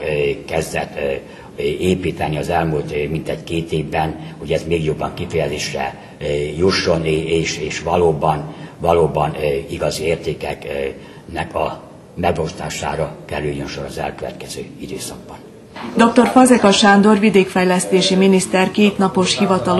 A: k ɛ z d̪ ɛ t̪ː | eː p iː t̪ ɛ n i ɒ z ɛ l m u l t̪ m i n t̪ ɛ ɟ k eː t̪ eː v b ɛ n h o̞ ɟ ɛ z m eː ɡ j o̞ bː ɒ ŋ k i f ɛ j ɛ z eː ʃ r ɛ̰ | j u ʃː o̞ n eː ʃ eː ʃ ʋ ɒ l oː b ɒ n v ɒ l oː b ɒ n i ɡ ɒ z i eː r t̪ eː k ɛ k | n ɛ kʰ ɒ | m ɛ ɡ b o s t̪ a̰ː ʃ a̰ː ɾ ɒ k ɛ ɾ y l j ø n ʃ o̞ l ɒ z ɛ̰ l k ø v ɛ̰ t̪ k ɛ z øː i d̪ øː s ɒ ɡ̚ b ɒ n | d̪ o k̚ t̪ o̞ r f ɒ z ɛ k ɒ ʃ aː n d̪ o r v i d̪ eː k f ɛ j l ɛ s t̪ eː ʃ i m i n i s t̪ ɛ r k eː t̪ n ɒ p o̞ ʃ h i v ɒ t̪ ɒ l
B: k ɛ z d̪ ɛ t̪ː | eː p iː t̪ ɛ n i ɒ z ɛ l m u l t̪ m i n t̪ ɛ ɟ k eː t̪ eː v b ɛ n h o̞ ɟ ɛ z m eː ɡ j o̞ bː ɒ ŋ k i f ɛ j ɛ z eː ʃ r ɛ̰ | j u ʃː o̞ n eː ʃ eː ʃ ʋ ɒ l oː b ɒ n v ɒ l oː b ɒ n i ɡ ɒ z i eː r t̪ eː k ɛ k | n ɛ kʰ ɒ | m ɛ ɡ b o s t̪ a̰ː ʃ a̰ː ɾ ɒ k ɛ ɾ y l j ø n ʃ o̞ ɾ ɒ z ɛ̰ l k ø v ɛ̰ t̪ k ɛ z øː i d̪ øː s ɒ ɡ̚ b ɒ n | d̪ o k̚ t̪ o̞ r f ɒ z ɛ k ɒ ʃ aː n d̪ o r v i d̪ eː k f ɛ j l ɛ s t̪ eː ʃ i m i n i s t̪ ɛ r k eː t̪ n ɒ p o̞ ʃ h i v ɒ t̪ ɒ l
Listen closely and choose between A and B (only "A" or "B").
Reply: B